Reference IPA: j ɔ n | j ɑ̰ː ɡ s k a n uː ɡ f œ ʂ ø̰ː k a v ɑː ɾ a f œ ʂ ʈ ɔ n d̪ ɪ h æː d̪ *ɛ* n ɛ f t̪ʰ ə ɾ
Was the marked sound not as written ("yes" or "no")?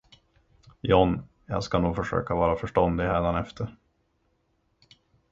yes